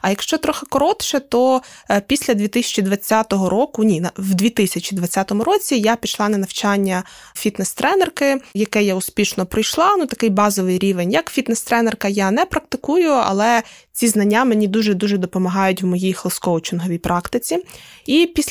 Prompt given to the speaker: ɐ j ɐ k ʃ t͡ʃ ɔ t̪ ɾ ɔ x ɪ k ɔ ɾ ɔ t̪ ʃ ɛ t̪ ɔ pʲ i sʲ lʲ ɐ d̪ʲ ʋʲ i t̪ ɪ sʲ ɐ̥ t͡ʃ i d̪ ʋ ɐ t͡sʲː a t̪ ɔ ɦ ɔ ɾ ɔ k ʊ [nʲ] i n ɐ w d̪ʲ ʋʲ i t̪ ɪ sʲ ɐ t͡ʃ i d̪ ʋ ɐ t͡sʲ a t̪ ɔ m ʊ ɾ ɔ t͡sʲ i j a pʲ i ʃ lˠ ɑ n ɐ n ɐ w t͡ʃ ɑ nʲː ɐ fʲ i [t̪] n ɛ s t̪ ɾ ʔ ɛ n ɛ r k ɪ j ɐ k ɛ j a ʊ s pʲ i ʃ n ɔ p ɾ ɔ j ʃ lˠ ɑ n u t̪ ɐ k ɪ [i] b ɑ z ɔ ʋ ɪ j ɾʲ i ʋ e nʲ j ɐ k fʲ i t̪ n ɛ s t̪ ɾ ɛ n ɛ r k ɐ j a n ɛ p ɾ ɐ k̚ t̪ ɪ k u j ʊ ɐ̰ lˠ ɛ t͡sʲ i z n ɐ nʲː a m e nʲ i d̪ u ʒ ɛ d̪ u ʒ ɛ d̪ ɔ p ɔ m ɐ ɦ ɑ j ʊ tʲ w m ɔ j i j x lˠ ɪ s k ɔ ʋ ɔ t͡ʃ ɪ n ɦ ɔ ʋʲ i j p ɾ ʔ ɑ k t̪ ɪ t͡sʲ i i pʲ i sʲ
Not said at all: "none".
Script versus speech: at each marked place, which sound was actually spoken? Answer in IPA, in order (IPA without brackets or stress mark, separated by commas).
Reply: nʲ, t̪, j